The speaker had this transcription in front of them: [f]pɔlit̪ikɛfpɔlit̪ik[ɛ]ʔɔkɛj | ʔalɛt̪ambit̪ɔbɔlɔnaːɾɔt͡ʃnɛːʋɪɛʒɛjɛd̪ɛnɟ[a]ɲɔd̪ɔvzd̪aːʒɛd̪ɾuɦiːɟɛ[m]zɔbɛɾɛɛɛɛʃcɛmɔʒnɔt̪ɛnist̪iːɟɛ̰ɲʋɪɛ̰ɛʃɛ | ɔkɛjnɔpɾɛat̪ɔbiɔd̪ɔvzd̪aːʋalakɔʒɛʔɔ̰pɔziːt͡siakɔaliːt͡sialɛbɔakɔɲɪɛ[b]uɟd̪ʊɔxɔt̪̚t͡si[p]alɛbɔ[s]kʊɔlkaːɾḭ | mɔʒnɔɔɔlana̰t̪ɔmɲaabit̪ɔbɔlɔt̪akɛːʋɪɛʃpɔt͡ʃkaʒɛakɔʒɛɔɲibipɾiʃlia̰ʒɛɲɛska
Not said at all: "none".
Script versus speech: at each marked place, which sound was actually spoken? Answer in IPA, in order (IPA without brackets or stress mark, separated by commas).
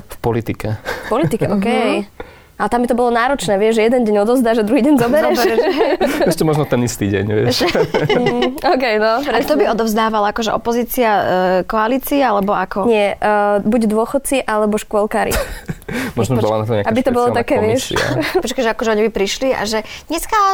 f, ɛ, ɛ, ɲ, b, ʔ, ʃ